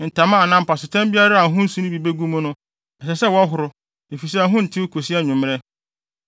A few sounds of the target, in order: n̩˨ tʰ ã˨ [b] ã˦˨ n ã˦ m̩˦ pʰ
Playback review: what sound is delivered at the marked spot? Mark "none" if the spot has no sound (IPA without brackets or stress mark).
m